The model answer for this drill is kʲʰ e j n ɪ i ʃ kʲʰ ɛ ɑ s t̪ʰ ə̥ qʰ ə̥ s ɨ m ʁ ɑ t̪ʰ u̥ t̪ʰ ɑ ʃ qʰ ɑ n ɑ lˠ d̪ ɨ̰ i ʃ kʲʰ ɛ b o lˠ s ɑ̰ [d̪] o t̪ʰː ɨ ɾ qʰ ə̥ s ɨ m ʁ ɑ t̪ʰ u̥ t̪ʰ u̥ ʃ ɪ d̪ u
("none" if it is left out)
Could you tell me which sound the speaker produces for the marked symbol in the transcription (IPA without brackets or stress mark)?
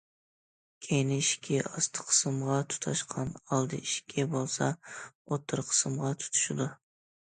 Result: none